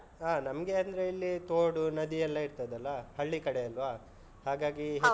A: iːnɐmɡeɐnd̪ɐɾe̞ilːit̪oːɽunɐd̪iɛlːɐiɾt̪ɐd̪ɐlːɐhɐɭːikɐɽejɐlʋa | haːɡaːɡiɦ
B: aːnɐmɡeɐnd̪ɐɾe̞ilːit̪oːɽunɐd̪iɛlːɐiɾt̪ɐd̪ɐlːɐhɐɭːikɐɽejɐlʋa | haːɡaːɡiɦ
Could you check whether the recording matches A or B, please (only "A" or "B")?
B